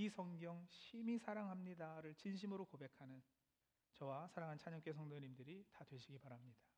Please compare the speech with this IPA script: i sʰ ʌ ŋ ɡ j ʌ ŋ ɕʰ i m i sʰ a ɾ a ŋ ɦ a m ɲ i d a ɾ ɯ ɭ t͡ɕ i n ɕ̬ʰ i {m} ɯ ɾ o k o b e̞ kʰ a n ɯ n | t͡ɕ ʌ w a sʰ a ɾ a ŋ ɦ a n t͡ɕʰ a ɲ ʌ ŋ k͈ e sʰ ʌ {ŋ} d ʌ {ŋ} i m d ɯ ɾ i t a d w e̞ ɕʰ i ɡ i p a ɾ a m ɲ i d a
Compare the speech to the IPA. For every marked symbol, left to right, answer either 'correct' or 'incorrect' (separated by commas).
correct, correct, incorrect